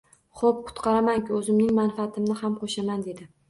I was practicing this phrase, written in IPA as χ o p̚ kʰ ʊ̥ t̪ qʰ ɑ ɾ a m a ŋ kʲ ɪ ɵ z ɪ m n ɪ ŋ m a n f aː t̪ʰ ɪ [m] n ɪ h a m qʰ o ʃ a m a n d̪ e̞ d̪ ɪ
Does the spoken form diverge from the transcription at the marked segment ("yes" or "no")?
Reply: no